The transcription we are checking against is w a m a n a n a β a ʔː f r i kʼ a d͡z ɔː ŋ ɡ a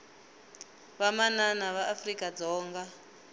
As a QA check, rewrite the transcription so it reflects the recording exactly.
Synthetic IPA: β a m a n a n a β a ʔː f r i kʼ a d͡z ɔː ŋ ɡ a